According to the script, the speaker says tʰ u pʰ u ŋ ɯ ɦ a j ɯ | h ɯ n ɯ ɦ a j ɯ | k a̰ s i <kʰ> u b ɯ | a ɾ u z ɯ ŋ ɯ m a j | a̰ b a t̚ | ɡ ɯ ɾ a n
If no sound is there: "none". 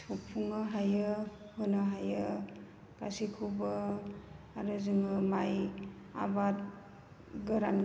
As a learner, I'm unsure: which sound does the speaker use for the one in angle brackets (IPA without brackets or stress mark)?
kʰ